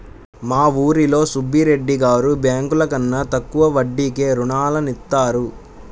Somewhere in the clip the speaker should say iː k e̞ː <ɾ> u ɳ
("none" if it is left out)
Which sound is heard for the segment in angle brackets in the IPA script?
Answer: ɾ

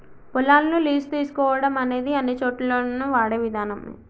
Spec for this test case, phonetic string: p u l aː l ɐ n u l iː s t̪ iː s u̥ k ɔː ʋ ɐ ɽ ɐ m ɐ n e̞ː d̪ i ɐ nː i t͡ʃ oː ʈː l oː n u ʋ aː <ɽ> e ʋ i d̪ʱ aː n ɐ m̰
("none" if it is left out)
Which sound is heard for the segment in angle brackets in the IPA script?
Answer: ɽ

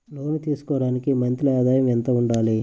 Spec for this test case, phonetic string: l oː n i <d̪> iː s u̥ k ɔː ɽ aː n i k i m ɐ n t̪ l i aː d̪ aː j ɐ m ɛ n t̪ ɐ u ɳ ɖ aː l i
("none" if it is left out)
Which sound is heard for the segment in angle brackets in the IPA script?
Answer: t̪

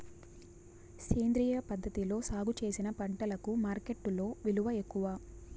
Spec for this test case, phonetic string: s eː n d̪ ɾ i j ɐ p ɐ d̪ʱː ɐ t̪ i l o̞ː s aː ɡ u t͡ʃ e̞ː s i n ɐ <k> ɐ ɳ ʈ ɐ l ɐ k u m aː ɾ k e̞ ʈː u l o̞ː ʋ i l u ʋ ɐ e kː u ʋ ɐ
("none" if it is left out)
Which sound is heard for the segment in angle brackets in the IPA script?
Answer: p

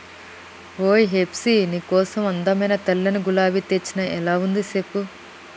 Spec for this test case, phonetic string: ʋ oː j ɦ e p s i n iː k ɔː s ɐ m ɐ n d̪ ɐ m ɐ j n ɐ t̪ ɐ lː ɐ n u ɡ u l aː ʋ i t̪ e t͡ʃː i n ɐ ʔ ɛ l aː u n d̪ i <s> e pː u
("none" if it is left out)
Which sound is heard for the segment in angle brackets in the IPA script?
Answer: s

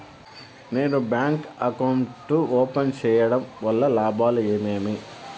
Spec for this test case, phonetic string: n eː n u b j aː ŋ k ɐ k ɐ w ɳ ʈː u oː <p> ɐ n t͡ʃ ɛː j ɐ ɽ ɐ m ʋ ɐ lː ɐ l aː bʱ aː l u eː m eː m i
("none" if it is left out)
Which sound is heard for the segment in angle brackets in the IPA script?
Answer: p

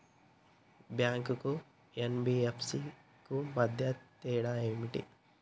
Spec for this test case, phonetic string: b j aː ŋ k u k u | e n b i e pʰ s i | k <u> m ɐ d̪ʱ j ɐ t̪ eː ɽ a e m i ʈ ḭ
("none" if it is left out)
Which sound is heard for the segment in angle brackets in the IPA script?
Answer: u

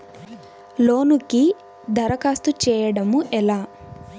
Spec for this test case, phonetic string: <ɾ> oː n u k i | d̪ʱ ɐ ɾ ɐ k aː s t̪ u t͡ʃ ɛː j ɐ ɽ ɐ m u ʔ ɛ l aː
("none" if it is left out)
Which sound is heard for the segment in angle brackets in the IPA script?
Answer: l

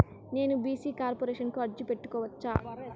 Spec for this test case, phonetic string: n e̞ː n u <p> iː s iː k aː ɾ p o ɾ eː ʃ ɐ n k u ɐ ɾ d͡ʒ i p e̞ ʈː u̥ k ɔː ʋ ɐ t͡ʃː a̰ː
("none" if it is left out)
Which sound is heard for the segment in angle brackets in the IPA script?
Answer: b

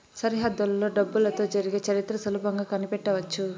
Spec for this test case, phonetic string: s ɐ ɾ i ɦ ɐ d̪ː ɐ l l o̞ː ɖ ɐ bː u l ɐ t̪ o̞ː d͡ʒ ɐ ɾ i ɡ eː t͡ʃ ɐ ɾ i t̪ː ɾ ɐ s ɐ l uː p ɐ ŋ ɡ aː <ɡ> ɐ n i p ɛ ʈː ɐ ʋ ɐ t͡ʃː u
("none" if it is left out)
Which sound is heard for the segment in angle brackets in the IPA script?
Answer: k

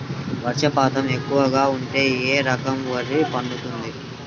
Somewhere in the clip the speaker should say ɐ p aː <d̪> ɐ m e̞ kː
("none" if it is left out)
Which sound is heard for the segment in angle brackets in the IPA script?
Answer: t̪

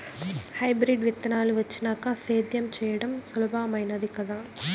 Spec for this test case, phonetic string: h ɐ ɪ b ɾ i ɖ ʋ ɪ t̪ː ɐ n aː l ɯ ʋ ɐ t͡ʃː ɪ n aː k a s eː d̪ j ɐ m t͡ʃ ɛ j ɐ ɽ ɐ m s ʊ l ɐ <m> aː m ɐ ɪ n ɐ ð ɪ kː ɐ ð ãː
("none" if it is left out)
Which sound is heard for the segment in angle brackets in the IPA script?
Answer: b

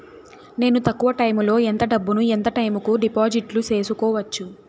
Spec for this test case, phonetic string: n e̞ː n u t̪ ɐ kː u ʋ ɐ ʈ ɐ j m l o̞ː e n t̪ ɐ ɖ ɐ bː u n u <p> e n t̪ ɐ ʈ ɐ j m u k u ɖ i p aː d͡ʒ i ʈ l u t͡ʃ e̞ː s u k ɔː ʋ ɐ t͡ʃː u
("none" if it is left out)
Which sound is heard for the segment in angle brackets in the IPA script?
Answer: none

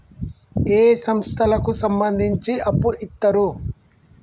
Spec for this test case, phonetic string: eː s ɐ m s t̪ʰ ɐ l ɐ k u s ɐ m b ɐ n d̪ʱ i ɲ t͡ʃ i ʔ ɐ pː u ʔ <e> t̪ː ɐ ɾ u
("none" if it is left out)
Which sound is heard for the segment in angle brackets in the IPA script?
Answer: i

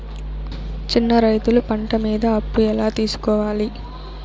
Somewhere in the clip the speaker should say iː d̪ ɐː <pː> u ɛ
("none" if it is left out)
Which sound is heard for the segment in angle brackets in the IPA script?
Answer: pː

